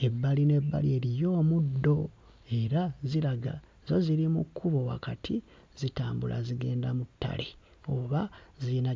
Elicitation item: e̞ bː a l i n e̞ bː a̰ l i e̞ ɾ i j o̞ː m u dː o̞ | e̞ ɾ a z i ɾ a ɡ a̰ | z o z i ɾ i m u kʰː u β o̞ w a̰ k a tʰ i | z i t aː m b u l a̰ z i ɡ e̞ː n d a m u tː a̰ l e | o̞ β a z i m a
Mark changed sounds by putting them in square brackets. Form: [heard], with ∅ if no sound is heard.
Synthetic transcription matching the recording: e̞ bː a l i n e̞ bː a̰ l i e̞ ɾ i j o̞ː m u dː o̞ | e̞ ɾ a z i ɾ a ɡ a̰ | z o z i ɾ i m u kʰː u β o̞ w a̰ k a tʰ i | z i t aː m b u l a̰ z i ɡ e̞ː n d a m u tː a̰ l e | o̞ β a z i [n] a